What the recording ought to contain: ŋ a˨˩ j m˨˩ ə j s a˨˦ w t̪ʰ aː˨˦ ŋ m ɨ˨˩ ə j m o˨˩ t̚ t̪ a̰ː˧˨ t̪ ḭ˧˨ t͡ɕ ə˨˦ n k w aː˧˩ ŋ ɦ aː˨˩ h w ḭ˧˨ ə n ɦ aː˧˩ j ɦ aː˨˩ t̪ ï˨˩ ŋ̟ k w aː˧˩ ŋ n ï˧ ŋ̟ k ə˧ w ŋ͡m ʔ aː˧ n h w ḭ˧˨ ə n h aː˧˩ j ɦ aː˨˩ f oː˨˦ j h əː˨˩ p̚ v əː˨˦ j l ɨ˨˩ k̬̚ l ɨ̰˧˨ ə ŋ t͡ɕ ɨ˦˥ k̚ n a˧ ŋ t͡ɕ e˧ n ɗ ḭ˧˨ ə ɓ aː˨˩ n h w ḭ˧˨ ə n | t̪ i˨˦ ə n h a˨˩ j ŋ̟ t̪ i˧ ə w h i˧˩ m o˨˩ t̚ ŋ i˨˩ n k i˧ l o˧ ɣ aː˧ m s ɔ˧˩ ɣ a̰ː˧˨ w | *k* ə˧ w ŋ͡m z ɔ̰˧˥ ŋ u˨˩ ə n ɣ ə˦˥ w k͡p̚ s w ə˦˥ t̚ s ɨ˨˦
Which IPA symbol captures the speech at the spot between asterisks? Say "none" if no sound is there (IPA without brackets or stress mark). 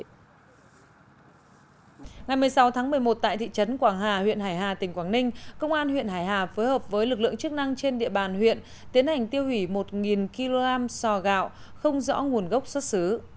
x